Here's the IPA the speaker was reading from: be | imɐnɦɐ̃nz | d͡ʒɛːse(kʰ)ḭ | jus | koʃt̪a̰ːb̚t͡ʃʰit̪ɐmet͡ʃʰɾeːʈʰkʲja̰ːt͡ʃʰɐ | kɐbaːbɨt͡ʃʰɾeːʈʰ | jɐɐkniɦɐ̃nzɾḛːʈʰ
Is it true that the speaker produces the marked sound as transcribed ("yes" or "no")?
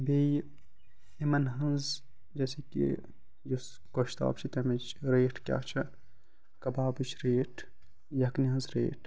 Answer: no